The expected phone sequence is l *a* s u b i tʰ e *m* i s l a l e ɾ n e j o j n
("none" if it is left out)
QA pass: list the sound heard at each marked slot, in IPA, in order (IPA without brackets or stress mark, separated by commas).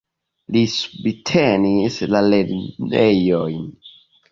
i, n